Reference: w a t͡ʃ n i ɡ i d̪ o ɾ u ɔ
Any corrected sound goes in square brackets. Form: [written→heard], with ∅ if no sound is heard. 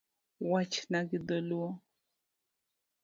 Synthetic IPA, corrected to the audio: w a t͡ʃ n [i→a] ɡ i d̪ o [ɾ→l] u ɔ